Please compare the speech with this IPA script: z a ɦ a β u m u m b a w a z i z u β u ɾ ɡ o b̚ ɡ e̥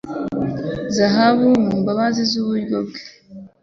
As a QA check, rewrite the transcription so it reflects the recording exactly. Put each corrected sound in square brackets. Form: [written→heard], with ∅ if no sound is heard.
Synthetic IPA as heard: z a ɦ a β u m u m b a [w→β] a z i z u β u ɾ ɡ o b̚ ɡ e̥